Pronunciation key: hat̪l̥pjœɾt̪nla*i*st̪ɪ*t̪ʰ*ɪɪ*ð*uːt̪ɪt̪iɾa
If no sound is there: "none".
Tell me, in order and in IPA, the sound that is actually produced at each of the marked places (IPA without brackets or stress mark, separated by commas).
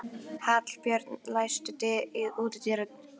j, t̪, ð